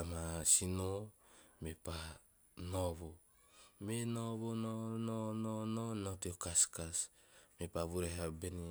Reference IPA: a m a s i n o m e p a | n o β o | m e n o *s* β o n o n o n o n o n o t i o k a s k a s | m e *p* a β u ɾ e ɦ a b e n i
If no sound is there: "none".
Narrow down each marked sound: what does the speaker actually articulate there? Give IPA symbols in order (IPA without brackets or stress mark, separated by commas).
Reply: none, p